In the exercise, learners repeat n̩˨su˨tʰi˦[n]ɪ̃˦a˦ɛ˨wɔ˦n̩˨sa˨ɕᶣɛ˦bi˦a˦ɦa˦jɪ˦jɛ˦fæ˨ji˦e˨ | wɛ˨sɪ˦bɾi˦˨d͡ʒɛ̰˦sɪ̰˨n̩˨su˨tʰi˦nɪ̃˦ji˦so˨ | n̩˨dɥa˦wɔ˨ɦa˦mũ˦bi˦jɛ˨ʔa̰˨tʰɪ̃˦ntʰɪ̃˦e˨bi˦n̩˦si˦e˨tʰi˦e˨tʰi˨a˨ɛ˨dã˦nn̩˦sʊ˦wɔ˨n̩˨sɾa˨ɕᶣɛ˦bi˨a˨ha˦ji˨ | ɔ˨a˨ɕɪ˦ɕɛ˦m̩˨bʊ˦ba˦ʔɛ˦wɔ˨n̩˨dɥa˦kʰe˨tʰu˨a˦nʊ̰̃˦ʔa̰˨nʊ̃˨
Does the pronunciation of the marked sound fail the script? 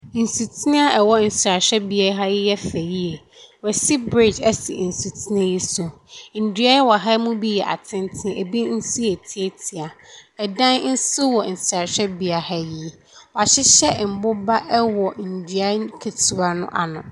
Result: no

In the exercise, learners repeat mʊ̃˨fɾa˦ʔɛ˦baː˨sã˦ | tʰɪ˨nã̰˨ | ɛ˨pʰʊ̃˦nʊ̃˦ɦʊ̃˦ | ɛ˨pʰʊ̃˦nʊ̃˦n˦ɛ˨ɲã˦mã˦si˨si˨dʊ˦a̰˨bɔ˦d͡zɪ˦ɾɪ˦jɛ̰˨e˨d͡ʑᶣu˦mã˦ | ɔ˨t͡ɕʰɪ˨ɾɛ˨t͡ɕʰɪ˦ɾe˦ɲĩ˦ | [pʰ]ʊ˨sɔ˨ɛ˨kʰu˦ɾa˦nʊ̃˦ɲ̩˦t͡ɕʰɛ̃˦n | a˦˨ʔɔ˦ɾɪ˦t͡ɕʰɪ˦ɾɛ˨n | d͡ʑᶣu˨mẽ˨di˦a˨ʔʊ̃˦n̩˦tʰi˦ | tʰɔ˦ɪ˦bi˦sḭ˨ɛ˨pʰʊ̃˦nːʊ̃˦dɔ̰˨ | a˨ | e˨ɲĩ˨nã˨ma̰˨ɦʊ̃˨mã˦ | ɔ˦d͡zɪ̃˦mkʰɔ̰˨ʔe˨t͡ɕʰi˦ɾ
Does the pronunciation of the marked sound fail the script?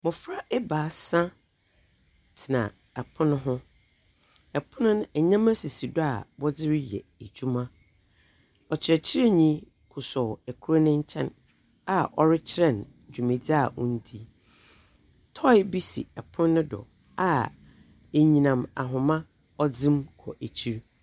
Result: yes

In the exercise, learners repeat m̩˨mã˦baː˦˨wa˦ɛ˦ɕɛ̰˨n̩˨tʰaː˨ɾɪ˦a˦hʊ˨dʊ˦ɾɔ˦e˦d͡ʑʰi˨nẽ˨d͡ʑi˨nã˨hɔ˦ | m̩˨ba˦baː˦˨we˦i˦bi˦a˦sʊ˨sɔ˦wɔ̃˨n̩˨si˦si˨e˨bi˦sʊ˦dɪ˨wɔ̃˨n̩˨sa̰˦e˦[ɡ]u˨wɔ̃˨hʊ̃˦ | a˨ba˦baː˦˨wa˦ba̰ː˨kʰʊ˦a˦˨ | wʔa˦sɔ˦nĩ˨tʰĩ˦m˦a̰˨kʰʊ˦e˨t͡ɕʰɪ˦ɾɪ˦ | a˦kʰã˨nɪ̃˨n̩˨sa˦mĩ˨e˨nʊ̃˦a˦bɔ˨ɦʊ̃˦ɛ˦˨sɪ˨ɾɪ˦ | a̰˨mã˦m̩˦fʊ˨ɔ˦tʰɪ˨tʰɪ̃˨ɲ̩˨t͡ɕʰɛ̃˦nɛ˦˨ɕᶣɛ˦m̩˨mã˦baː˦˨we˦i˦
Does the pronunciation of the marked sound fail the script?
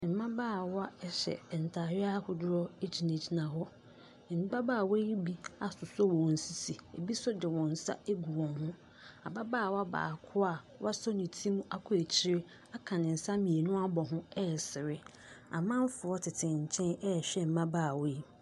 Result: no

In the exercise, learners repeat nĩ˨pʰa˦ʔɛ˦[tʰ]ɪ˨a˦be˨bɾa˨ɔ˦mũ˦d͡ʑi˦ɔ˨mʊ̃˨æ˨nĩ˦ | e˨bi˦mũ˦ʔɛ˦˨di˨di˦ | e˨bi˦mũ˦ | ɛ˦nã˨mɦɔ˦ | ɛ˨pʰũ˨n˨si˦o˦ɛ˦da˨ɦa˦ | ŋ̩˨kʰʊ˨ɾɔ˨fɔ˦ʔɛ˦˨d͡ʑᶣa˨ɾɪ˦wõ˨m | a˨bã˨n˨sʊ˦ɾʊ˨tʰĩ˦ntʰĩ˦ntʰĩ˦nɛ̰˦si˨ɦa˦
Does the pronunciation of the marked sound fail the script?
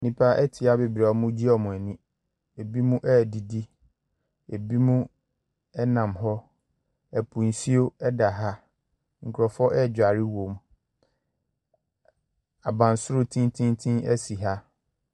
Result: no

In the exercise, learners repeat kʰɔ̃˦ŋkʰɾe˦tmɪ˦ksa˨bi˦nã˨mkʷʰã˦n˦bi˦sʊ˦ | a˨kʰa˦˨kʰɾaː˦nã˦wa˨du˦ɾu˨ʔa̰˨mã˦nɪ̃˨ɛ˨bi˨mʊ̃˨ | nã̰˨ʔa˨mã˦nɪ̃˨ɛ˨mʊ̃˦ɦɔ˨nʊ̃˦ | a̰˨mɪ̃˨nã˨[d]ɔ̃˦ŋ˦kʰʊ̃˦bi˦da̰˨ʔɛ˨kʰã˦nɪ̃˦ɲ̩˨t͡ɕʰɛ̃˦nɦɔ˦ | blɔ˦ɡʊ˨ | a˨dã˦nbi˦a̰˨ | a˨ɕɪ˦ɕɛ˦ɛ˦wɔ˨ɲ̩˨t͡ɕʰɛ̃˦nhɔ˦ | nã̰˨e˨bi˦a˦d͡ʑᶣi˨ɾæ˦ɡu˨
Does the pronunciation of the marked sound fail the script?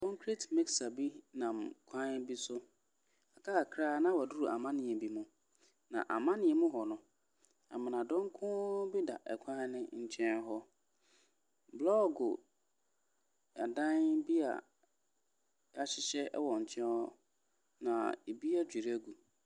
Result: no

